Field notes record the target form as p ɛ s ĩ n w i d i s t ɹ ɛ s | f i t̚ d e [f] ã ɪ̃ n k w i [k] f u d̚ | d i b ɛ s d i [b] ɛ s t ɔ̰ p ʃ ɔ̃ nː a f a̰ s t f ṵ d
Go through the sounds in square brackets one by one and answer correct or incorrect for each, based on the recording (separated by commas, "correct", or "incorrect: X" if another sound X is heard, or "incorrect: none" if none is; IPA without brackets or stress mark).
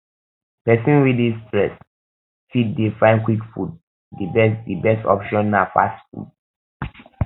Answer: correct, correct, correct